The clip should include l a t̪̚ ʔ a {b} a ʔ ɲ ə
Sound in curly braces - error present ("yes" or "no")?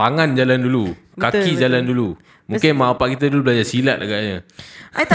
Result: yes